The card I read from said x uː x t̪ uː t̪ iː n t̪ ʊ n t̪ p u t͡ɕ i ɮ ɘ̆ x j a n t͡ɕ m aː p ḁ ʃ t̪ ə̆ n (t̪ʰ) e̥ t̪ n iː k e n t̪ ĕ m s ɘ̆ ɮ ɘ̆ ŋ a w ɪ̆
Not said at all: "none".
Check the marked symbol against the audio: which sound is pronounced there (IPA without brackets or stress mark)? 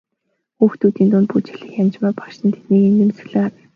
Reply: t̪ʰ